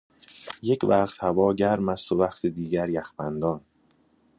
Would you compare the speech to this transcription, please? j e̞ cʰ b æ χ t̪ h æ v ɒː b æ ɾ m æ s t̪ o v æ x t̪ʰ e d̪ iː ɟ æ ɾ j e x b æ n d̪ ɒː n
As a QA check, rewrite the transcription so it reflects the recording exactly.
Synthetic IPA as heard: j e̞ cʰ v æ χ t̪ h æ v ɒː ɟ æ ɾ m æ s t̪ o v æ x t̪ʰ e d̪ iː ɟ æ ɾ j æ x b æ n d̪ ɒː n

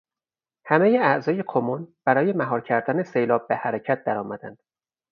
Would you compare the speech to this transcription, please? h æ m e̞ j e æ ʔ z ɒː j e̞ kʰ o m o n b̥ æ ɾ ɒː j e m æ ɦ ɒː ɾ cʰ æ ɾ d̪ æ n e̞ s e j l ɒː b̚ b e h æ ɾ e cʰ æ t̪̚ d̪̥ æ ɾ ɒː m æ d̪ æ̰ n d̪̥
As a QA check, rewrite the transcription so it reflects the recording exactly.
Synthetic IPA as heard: h æ m e̞ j e æ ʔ z ɒː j e̞ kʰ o m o n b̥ æ ɾ ɒː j e m æ ɦ ɒː ɾ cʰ æ ɾ d̪ æ n e̞ s e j l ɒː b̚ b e h æ ɾ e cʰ æ t̪̚ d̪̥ æ ɾ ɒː m æ d̪ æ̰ n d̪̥

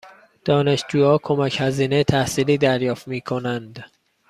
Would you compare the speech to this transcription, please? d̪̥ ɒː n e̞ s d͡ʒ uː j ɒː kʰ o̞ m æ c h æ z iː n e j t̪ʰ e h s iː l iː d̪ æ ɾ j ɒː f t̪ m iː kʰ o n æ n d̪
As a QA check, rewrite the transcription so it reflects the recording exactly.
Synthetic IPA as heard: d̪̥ ɒː n e̞ ʃ d͡ʒ uː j ɒː kʰ o̞ m æ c h æ z iː n e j t̪ʰ æ h s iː l iː d̪ æ ɾ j ɒː f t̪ m iː kʰ o n æ n d̪

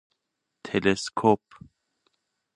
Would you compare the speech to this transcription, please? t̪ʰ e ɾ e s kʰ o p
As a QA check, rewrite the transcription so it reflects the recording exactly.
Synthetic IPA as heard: t̪ʰ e l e s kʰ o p

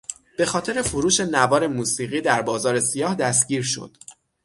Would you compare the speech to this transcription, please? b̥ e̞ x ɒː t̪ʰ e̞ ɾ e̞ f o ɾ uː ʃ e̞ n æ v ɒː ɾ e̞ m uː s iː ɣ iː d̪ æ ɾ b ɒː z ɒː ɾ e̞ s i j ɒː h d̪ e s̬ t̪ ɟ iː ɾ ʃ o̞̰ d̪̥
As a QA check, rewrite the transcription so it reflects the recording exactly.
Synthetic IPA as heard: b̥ e̞ x ɒː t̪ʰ e̞ ɾ e̞ f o ɾ uː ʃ e̞ n æ v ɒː ɾ e̞ m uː s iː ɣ iː d̪ æ ɾ b ɒː z ɒː ɾ e̞ s i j ɒː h d̪ æ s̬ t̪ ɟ iː ɾ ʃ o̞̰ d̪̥

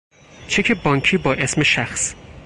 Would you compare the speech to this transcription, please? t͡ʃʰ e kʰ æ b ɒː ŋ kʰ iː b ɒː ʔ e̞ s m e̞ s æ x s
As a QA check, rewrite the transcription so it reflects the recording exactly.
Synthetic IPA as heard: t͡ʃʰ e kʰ e b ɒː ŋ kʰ iː b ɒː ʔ e̞ s m e̞ ʃ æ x s

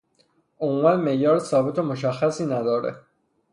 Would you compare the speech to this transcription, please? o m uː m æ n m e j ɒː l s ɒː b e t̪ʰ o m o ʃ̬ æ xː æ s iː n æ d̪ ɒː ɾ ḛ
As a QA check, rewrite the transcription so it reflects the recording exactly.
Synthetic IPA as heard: o m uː m æ n m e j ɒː ɾ s ɒː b e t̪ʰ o m o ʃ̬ æ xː æ s iː n æ d̪ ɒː ɾ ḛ

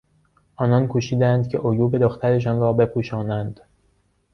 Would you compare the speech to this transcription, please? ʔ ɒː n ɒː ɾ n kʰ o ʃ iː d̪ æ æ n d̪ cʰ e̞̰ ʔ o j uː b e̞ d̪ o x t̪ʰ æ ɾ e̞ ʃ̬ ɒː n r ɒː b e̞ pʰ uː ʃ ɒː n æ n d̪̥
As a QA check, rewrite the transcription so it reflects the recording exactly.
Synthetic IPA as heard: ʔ ɒː n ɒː n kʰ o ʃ iː d̪ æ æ n d̪ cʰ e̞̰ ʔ o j uː b e̞ d̪ o x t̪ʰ æ ɾ e̞ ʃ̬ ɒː n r ɒː b e̞ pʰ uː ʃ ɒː n æ n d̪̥

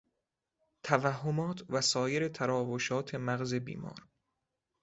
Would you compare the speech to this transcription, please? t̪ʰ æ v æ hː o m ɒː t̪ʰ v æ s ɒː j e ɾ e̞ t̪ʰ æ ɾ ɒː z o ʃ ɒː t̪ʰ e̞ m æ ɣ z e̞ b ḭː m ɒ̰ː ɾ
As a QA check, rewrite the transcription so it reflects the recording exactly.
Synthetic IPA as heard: t̪ʰ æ v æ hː o m ɒː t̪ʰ v æ s ɒː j e ɾ e̞ t̪ʰ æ ɾ ɒː v o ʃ ɒː t̪ʰ e̞ m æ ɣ z e̞ b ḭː m ɒ̰ː ɾ

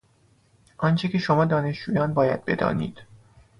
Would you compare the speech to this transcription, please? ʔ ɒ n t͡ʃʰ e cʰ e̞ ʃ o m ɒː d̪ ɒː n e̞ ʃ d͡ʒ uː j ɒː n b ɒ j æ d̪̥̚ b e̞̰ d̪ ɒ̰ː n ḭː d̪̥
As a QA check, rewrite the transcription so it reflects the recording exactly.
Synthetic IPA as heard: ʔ ɒ n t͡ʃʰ e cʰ e̞ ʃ o m ɒː d̪ ɒː n e̞ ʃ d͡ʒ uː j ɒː n b ɒː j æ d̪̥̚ b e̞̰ d̪ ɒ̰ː n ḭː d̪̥

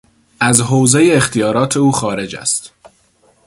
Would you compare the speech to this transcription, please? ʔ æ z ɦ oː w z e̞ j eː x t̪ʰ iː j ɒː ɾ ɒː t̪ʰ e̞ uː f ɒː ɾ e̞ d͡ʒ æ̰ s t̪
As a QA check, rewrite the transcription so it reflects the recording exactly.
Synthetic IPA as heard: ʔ æ z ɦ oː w z e̞ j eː x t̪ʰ i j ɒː ɾ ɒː t̪ʰ e̞ uː x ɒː ɾ e̞ d͡ʒ æ̰ s t̪

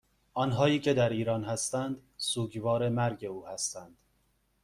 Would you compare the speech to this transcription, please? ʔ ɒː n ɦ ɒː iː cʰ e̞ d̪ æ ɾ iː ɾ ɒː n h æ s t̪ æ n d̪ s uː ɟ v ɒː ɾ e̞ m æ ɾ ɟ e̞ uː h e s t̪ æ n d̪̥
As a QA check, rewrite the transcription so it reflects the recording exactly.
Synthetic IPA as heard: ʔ ɒː n ɦ ɒː iː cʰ e̞ d̪ æ ɾ iː ɾ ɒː n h æ s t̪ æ n d̪ s uː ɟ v ɒː ɾ e̞ m æ ɾ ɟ e̞ uː h æ s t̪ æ n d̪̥

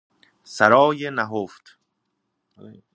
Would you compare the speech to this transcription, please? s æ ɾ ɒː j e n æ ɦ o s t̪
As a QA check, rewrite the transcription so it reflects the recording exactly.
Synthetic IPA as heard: s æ ɾ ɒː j e n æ ɦ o f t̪

